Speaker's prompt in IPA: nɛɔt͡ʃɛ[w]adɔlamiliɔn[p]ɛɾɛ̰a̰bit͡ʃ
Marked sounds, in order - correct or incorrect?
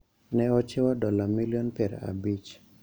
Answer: correct, correct

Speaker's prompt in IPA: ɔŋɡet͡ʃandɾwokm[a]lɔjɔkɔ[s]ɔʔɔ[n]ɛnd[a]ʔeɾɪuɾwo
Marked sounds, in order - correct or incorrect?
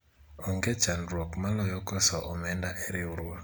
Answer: correct, correct, incorrect, correct

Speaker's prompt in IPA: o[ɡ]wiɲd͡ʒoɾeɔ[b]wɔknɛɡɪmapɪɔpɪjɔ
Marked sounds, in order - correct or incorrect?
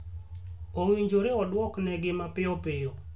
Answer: incorrect, incorrect

